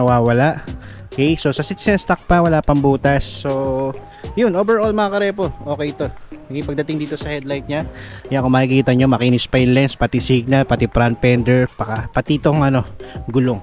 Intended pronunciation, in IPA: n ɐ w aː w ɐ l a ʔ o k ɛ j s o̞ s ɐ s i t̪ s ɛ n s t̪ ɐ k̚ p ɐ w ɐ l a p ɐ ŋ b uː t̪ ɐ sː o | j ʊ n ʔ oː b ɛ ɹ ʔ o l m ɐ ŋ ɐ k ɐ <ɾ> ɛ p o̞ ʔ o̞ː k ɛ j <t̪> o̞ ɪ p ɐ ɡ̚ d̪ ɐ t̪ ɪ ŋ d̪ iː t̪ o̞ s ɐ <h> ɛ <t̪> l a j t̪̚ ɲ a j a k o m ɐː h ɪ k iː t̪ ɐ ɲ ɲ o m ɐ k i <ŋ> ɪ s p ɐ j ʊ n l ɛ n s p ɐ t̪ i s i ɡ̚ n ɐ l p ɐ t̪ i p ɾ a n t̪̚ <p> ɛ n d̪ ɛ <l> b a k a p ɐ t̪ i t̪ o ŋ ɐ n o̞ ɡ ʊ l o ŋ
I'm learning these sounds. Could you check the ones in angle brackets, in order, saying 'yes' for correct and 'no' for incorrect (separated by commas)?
yes, yes, yes, no, no, yes, no